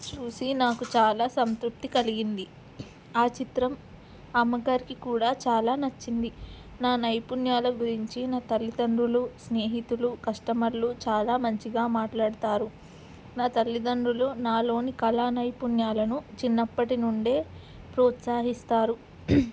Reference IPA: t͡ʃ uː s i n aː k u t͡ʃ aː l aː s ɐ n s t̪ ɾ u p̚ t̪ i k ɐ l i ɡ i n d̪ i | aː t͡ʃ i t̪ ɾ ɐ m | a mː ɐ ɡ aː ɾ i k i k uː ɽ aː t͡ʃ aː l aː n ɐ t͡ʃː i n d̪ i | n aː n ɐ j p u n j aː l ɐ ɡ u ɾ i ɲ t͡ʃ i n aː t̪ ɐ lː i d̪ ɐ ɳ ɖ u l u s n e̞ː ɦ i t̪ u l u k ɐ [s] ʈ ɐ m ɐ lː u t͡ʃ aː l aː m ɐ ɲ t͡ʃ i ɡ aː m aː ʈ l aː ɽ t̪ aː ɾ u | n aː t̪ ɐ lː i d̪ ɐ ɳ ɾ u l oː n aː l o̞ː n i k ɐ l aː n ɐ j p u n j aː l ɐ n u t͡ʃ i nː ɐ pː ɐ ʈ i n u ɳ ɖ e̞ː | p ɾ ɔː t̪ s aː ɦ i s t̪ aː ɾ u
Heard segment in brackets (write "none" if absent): ʂ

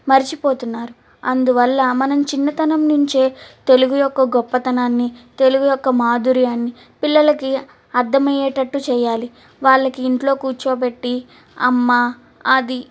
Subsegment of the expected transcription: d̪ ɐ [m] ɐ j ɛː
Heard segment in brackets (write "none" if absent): m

